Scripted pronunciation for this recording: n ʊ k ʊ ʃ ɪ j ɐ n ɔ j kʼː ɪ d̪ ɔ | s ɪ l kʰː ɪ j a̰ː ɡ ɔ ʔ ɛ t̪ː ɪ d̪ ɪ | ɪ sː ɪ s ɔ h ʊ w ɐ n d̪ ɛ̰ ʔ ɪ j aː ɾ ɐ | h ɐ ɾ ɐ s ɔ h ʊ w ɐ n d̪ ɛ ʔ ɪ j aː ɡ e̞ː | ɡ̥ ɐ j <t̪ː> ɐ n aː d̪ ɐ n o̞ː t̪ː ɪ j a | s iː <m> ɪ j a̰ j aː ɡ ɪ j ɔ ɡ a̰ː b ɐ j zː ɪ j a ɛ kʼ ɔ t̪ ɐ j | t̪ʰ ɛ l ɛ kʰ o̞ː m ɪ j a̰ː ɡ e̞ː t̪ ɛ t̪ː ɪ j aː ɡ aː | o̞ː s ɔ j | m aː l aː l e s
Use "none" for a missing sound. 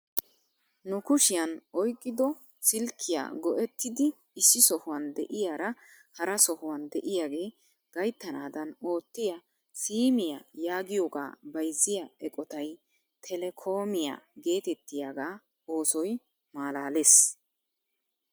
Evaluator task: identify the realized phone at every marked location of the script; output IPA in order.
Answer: t̪ː, m

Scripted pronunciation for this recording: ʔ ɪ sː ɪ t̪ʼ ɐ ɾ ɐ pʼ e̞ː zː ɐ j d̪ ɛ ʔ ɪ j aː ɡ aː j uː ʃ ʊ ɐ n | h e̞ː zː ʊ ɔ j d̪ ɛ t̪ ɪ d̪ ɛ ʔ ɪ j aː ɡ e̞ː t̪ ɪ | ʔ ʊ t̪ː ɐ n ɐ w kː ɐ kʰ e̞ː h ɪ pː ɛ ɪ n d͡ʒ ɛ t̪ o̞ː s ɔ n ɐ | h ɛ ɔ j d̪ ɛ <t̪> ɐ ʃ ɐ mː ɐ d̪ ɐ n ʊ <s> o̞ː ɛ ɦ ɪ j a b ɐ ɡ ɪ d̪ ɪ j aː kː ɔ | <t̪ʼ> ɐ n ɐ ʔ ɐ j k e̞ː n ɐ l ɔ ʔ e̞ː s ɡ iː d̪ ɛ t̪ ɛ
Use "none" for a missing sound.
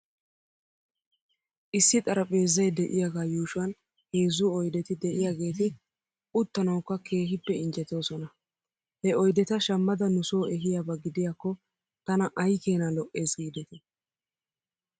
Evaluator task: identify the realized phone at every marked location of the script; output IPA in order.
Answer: t̪, s, t̪

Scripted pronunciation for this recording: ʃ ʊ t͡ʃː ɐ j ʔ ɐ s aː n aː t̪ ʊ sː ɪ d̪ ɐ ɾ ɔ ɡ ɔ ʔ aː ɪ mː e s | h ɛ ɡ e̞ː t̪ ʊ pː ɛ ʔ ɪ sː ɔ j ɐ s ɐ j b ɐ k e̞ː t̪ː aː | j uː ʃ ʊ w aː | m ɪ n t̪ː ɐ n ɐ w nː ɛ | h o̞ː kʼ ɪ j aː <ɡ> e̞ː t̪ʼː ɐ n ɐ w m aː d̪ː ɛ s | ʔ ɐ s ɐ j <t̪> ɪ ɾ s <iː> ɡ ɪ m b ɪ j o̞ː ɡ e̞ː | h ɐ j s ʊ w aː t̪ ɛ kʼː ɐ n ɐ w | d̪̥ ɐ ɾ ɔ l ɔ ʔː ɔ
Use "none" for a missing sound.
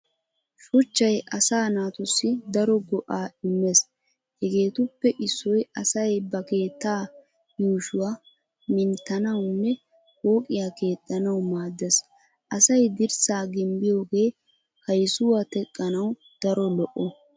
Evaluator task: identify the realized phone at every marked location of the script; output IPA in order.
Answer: k, d̪, aː

